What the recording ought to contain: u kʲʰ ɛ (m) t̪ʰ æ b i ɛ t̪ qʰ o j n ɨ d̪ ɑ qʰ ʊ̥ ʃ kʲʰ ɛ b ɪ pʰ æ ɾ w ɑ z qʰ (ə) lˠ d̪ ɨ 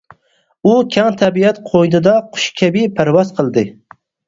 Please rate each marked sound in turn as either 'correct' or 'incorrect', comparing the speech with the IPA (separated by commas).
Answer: incorrect, correct